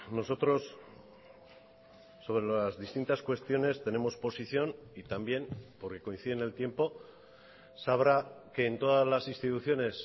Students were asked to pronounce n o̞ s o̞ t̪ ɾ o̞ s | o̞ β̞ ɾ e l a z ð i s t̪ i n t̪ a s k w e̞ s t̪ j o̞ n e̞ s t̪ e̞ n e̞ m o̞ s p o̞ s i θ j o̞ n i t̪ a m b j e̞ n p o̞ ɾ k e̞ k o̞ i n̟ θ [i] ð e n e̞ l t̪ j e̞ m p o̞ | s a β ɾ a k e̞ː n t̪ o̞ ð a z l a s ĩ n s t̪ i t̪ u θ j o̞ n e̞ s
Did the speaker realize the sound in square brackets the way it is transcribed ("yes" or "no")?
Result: yes